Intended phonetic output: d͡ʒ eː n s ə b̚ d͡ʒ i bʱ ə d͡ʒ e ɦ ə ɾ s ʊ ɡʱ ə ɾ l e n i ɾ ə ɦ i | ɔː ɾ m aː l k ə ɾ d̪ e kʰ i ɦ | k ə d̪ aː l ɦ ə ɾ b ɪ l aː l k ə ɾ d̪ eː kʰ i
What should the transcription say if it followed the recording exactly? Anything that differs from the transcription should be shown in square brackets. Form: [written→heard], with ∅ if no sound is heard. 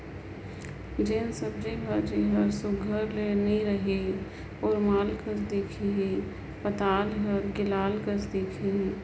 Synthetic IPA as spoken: d͡ʒ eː n s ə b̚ d͡ʒ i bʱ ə d͡ʒ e ɦ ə ɾ s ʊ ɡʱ ə ɾ l e n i ɾ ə ɦ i | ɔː ɾ m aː l k ə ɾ d̪ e kʰ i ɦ | [k→p] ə [d̪→t̪] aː l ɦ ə ɾ [b→ɡ] ɪ l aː l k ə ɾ d̪ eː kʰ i